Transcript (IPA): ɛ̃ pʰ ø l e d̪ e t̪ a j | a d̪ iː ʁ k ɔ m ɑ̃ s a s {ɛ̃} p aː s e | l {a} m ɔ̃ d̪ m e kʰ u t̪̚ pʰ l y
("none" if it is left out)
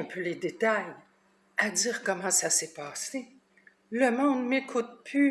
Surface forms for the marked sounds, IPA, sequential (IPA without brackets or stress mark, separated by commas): ɛ, ə